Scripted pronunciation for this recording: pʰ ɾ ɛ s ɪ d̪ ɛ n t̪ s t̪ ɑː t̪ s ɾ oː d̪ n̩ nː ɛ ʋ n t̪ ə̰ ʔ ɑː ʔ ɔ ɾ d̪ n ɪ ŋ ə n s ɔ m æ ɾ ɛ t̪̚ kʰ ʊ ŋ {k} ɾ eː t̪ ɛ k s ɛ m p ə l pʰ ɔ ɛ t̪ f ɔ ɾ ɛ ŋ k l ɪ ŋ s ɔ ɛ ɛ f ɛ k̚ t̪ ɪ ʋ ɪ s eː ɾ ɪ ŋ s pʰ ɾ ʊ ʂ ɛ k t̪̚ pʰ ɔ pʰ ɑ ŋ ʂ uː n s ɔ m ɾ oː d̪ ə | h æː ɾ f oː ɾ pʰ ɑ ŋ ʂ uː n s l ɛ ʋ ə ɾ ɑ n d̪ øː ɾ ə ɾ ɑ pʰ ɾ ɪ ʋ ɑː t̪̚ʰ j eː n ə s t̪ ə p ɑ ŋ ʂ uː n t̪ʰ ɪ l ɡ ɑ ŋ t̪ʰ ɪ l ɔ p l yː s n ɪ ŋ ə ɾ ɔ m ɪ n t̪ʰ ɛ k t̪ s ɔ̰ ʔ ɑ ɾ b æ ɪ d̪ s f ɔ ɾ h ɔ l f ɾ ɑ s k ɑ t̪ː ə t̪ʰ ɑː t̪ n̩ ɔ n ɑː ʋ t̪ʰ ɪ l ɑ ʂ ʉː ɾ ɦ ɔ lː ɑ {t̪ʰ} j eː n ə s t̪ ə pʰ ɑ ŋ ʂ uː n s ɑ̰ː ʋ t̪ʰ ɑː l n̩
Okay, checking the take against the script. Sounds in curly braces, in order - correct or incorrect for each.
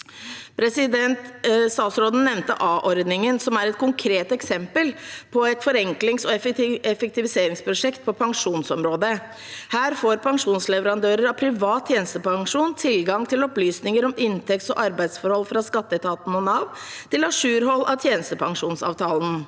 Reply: incorrect, correct

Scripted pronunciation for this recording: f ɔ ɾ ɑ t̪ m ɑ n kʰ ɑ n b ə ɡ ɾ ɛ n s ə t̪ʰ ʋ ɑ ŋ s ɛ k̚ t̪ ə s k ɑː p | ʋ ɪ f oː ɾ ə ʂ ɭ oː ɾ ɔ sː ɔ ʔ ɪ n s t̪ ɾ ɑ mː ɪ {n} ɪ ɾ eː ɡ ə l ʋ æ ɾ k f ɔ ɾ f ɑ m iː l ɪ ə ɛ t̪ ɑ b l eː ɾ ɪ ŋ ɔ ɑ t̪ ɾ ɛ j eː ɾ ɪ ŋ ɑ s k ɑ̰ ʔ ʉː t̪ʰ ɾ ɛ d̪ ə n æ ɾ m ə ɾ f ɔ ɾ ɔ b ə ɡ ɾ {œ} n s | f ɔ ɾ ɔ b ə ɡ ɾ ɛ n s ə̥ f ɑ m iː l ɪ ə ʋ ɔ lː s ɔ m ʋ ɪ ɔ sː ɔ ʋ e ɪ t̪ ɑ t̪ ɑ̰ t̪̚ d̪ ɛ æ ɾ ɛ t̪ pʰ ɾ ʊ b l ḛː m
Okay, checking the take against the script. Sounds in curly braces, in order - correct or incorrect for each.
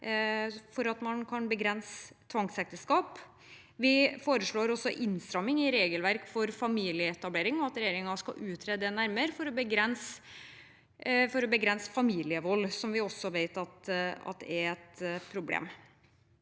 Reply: incorrect, incorrect

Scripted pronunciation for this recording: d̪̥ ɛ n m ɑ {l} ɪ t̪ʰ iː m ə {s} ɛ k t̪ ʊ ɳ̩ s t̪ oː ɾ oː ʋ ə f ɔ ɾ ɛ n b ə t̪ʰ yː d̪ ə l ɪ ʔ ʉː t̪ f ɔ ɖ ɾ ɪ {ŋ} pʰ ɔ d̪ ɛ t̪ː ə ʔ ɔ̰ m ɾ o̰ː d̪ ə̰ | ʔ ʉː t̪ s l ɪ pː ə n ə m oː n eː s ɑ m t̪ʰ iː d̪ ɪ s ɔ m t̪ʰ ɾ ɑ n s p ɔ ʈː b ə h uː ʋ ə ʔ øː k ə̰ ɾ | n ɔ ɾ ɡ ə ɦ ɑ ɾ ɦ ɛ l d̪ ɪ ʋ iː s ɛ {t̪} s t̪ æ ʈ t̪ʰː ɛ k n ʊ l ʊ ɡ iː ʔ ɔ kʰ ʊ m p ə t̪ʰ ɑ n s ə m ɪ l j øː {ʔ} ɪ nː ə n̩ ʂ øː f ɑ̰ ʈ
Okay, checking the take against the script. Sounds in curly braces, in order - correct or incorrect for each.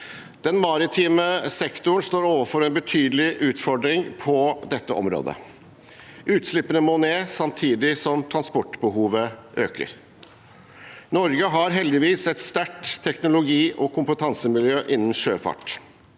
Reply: incorrect, correct, correct, correct, correct

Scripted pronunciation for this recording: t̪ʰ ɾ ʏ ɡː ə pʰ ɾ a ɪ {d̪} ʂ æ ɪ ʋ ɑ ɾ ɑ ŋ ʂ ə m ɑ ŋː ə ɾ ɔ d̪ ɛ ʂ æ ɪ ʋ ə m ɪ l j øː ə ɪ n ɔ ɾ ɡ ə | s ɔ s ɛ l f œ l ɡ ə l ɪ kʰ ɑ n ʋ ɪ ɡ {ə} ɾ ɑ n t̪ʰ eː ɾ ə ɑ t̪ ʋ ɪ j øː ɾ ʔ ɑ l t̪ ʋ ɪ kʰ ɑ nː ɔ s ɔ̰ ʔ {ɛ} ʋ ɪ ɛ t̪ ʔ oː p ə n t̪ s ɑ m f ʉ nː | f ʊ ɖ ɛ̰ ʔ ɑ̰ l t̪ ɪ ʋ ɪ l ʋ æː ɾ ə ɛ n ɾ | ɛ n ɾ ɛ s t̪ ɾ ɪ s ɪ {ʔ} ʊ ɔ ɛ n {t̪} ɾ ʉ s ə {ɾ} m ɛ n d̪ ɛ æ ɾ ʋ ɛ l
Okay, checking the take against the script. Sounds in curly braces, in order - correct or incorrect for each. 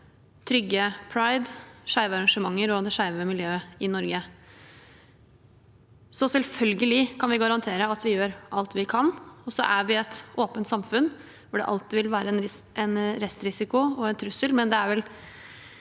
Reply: correct, incorrect, incorrect, incorrect, incorrect, incorrect

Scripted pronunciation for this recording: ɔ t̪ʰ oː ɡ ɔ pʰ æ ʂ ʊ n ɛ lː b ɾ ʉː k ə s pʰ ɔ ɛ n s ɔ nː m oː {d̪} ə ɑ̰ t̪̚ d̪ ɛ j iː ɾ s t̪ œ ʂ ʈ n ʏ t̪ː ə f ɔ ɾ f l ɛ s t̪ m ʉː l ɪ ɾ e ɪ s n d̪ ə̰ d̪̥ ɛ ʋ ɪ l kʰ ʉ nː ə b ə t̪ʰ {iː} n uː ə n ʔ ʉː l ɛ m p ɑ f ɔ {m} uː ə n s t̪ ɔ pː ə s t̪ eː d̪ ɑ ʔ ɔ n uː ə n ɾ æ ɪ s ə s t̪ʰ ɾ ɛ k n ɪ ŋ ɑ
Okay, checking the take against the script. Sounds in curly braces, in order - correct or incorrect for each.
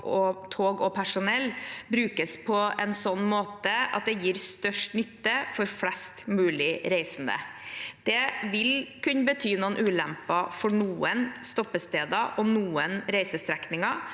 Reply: incorrect, incorrect, incorrect

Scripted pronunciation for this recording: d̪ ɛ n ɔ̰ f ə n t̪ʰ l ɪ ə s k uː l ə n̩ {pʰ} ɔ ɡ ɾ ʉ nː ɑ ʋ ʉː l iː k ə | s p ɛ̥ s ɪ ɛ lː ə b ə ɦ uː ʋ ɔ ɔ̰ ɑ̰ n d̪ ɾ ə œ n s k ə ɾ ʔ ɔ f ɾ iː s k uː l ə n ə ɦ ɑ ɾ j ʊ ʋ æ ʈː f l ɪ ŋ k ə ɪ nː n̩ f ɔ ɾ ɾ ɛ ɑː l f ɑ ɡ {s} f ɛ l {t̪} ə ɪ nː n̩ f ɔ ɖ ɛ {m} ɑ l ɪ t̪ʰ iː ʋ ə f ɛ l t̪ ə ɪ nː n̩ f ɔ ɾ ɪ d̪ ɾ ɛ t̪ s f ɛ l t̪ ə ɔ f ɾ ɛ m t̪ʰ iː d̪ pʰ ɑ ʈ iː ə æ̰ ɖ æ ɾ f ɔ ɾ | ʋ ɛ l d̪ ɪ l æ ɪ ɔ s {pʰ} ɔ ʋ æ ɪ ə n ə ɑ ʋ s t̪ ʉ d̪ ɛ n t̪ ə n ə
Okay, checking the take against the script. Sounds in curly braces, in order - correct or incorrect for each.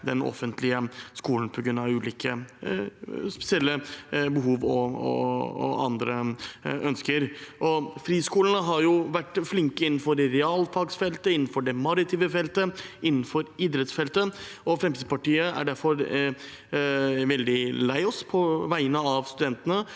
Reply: correct, correct, correct, correct, correct

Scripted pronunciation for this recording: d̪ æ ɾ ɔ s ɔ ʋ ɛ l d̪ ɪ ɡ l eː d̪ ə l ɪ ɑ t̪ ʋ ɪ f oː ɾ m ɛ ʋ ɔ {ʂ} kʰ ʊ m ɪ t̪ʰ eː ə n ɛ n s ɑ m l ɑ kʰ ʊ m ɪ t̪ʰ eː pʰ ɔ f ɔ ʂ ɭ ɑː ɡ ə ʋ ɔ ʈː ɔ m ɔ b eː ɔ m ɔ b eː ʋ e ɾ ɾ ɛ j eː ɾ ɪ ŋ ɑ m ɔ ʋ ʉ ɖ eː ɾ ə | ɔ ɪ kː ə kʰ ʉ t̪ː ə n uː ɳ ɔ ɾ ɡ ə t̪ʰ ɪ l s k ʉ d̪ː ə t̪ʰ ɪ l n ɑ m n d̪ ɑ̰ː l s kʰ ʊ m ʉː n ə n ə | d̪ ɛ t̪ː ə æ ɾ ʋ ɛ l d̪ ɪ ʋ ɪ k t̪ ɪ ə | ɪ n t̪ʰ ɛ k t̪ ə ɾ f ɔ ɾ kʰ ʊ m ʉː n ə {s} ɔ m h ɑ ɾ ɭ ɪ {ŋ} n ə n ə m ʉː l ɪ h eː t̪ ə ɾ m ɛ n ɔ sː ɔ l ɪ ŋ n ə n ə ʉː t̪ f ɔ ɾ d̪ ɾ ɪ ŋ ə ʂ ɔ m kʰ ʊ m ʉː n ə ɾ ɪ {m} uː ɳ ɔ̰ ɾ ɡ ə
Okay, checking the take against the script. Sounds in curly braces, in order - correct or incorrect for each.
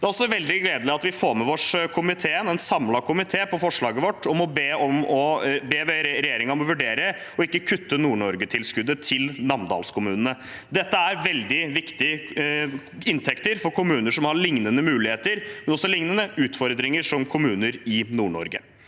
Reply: correct, incorrect, correct, incorrect

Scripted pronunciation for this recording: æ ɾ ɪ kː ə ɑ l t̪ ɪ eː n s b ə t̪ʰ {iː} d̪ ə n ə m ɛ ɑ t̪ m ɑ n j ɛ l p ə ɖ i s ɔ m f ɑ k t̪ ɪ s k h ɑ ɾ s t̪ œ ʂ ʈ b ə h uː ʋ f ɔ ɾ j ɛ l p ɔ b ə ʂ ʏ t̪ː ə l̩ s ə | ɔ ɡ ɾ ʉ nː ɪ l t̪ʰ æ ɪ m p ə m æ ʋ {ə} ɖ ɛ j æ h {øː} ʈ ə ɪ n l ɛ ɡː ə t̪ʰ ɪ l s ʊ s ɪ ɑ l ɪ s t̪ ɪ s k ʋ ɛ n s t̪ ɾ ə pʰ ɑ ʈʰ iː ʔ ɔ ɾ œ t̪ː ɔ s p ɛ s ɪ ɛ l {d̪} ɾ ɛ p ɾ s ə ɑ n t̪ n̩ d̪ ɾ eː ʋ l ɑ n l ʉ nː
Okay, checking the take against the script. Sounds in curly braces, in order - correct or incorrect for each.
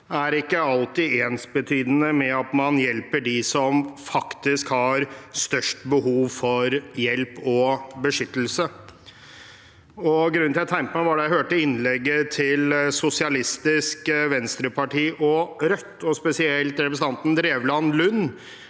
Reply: incorrect, incorrect, correct, incorrect

